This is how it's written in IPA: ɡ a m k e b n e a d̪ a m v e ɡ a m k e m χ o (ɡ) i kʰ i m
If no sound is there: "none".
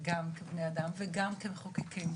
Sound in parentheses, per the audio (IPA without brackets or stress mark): k